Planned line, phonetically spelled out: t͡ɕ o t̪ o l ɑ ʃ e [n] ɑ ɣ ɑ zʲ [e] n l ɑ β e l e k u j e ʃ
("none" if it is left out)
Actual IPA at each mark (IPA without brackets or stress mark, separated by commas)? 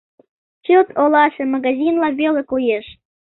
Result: m, i